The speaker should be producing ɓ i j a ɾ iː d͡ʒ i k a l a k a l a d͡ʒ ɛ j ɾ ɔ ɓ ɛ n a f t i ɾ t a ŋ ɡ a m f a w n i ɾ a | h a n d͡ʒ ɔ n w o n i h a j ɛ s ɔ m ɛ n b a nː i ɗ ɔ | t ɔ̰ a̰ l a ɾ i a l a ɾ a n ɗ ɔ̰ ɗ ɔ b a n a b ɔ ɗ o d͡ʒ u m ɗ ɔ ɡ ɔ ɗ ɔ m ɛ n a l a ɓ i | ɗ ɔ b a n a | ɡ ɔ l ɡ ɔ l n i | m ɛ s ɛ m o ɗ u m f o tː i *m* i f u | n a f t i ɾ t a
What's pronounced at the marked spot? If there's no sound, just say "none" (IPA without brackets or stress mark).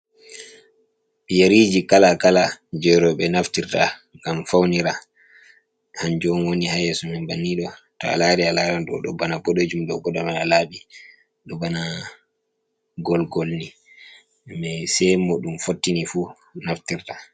n